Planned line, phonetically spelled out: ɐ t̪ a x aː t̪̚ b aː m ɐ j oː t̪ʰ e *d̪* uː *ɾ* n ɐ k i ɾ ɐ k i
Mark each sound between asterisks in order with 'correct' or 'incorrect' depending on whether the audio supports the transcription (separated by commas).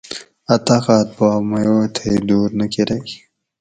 correct, correct